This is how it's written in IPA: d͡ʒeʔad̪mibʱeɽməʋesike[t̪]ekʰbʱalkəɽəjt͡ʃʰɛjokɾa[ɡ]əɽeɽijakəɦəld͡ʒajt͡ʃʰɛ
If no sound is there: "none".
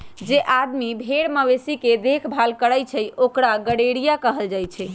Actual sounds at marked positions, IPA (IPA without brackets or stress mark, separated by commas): d̪, ɡ